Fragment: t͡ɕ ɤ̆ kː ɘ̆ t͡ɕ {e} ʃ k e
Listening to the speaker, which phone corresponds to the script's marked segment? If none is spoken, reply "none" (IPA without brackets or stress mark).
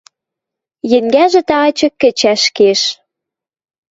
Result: æ